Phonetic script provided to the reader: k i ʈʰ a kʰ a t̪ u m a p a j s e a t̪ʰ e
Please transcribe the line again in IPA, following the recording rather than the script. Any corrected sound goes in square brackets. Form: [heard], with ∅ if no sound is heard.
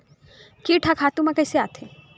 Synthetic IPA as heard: k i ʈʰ a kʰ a t̪ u m a [k] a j s e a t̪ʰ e